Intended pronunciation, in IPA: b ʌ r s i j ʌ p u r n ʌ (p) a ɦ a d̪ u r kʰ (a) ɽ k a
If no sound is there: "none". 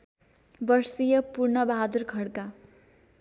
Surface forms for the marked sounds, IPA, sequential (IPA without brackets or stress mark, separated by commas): b, ʌ